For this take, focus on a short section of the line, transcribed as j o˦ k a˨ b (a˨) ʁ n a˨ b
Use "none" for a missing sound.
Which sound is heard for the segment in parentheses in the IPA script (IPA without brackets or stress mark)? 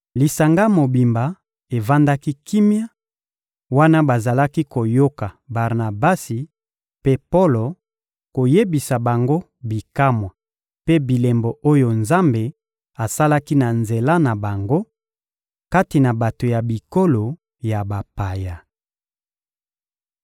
a˨